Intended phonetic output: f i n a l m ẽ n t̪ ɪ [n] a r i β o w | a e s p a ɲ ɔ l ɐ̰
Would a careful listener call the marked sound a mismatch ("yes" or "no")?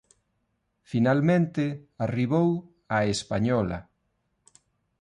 yes